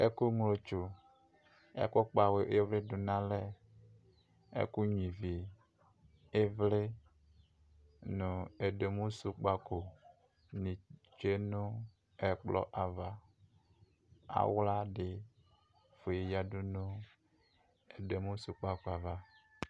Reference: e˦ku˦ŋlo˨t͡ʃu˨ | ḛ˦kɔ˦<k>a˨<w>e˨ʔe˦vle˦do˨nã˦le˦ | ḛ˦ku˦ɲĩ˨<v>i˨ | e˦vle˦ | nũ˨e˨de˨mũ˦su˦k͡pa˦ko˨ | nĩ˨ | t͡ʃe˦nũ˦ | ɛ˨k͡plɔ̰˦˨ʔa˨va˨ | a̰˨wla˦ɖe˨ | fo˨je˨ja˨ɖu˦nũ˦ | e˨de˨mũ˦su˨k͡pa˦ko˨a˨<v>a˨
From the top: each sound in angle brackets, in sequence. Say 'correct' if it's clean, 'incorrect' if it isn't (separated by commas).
incorrect, correct, correct, correct